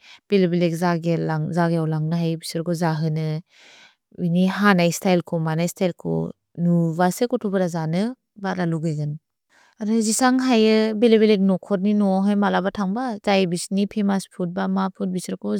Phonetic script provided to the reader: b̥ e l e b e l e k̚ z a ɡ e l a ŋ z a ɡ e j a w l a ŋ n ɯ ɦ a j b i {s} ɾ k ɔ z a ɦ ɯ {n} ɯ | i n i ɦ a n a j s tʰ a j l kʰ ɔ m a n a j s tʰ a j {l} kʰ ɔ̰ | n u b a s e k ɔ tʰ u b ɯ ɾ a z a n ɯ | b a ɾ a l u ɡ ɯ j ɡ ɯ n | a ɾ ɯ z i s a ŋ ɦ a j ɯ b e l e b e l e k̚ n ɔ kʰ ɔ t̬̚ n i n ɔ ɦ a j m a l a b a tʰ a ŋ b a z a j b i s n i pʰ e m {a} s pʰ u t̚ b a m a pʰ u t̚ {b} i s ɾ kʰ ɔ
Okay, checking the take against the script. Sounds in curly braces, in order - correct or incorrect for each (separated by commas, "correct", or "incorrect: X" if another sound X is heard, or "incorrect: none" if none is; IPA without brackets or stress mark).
correct, correct, correct, correct, correct